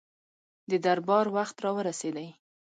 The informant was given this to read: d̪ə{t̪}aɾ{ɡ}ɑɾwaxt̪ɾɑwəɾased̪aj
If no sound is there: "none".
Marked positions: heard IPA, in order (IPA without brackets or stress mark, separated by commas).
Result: d̪, b